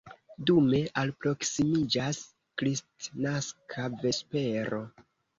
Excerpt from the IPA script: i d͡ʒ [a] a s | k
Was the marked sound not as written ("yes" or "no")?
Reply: no